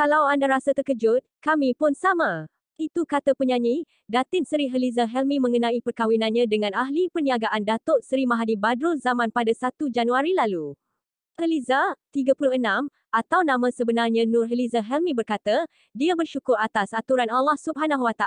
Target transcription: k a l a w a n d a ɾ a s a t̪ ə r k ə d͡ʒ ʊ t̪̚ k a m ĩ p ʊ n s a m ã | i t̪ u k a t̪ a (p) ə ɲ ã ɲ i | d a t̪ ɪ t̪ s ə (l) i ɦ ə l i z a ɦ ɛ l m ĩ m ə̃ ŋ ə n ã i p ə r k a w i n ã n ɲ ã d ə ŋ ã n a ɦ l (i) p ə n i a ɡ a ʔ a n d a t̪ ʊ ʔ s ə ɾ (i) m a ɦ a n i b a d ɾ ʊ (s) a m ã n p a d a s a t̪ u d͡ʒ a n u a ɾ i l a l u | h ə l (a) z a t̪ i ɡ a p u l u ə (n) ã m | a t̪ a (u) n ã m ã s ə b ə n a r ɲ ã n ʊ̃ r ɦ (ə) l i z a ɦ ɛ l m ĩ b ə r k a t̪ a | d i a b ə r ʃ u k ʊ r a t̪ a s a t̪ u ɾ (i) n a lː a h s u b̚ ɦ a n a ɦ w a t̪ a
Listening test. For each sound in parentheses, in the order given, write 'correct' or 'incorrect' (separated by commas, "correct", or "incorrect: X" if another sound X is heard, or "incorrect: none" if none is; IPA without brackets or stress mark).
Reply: correct, incorrect: ɾ, correct, correct, incorrect: z, incorrect: i, correct, incorrect: w, correct, incorrect: a